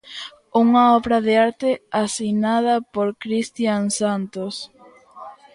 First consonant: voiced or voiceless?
voiced